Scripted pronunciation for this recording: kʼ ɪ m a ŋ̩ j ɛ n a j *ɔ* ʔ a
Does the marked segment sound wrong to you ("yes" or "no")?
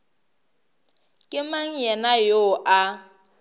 yes